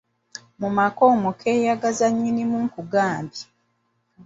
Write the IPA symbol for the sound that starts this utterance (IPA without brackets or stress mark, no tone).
m